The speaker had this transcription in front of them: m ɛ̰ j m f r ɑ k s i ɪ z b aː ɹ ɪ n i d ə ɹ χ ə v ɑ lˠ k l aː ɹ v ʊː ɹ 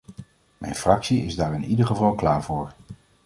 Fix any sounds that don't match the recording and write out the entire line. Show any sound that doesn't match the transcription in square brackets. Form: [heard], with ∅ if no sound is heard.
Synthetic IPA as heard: m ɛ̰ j [n] f r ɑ k s i ɪ z [d] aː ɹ ɪ n i d ə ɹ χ ə v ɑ lˠ k l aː ɹ v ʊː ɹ